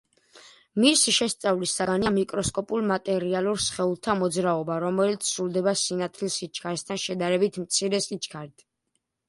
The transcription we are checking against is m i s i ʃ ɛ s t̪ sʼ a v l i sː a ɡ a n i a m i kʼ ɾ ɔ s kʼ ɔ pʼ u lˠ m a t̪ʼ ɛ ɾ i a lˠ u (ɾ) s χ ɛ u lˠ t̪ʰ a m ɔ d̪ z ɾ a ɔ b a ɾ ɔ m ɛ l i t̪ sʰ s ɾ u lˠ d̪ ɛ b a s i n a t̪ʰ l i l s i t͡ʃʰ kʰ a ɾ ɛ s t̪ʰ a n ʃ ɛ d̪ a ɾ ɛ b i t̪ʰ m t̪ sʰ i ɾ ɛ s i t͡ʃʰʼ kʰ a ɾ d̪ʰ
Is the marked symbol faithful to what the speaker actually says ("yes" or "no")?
yes